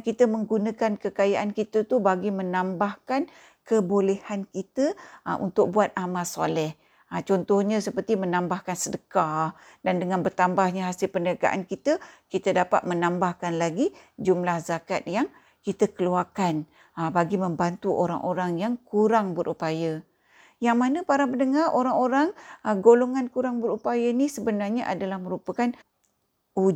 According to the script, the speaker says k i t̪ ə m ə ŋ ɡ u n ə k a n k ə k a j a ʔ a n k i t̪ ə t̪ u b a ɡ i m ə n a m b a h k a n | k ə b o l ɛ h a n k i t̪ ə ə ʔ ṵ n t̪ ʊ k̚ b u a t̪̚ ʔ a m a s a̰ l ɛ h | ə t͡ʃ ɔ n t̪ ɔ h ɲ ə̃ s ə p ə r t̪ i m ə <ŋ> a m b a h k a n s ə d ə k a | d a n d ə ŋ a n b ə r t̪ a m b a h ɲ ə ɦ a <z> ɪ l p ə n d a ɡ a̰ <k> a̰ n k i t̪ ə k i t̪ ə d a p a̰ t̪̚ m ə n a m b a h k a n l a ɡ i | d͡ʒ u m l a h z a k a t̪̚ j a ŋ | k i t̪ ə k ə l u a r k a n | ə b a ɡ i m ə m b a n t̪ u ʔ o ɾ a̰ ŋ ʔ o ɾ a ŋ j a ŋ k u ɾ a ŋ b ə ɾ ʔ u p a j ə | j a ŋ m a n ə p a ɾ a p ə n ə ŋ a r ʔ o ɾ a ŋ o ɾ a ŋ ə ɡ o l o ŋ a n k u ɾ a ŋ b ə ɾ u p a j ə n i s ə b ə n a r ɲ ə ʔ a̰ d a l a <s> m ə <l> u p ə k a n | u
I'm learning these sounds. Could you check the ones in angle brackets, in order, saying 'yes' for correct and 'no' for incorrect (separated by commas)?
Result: no, no, no, no, no